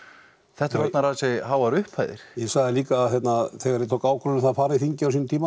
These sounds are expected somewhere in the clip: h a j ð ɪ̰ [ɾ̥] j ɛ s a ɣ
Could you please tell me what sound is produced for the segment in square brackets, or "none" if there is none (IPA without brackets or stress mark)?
ɾ̥